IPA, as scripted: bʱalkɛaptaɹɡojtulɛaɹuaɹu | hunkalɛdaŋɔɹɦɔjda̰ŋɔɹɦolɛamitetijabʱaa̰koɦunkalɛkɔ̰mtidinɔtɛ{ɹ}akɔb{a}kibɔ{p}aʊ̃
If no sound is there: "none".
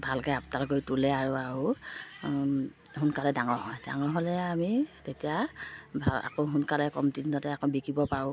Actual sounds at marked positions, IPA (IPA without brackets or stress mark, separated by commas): none, i, p